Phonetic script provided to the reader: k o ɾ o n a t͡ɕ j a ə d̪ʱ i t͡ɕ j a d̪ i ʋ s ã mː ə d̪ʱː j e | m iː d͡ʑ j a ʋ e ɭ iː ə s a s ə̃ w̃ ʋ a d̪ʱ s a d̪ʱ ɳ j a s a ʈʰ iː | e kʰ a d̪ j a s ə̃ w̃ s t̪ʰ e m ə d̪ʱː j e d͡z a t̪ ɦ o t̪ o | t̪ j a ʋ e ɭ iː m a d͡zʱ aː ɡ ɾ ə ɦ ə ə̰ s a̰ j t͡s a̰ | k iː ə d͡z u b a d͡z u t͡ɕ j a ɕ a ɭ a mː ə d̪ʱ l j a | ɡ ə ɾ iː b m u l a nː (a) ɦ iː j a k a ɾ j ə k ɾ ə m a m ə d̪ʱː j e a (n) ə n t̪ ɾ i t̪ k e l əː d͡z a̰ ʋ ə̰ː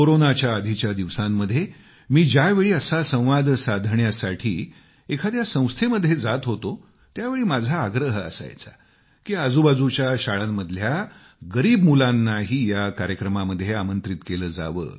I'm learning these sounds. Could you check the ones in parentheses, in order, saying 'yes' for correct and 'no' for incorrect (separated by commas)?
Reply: yes, no